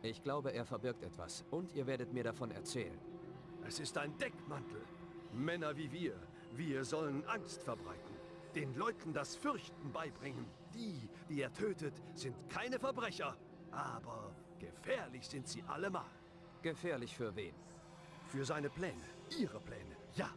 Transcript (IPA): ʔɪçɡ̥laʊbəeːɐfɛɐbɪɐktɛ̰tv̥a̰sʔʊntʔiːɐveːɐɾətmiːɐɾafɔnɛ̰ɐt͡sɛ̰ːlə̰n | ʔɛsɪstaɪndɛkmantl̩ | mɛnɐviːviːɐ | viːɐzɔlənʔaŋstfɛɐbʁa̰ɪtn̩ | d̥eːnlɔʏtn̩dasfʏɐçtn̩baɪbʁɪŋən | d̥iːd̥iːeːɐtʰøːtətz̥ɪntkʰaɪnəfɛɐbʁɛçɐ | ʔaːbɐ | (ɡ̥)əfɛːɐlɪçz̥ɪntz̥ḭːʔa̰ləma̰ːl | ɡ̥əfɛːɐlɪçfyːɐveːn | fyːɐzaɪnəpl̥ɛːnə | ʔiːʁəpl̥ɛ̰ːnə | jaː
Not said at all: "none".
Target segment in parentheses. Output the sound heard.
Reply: ɡ̥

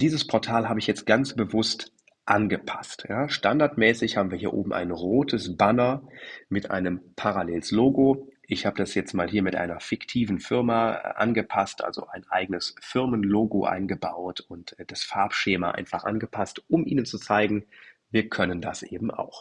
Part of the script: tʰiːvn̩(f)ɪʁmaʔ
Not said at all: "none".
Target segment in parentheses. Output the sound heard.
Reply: f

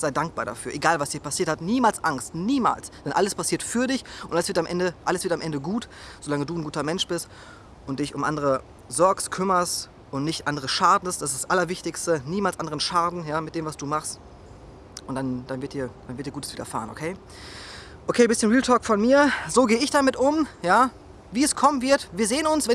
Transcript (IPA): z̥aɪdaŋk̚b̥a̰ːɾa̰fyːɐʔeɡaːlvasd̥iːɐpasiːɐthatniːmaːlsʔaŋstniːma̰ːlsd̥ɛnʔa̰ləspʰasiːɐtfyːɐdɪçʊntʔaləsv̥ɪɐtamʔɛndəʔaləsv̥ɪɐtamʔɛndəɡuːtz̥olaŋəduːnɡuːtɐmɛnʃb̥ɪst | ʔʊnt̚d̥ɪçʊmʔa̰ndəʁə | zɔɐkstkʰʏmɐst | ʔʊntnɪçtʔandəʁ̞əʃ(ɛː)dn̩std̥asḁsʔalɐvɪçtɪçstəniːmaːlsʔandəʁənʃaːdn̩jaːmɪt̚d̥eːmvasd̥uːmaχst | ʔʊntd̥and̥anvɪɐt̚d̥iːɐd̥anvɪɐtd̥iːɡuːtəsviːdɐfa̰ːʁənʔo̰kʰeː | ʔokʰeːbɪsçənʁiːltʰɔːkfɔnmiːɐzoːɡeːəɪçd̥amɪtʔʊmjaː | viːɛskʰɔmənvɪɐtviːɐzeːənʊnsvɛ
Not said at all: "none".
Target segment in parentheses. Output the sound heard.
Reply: aː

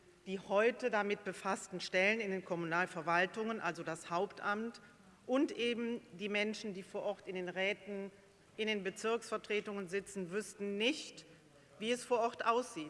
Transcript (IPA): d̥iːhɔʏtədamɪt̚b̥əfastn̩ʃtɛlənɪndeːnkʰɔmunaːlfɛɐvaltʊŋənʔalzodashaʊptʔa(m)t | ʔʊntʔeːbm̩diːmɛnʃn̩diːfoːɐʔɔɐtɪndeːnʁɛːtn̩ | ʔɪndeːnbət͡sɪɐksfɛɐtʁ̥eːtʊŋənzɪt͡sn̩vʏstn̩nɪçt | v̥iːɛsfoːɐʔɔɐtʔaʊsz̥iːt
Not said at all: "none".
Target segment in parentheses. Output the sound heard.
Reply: m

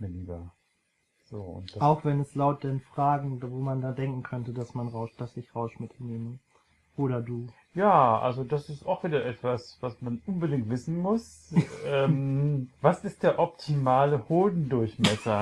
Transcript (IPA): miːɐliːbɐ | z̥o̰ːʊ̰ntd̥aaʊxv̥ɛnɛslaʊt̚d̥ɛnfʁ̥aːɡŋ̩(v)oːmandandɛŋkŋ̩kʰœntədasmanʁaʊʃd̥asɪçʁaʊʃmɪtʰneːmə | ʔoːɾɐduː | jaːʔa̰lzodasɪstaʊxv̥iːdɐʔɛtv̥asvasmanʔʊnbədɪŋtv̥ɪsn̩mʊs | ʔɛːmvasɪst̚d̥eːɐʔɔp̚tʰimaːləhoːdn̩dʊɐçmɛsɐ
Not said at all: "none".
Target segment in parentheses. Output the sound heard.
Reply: v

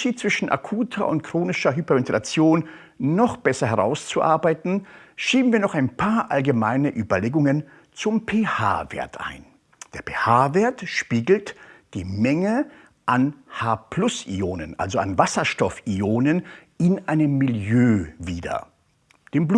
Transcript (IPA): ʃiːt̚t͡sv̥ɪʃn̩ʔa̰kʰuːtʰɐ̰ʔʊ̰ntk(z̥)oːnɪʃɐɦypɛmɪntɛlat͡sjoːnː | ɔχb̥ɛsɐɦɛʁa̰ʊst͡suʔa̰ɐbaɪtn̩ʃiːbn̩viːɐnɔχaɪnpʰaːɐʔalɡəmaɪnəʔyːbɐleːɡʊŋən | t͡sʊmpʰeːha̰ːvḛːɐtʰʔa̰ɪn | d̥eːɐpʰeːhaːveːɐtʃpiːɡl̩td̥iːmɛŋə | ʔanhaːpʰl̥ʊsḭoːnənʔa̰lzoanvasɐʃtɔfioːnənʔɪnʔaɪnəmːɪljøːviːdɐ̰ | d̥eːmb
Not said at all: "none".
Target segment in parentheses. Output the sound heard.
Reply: ʁ̥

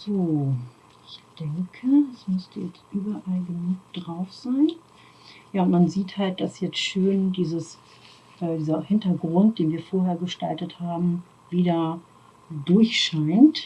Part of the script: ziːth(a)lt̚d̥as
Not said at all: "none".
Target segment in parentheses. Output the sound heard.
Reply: a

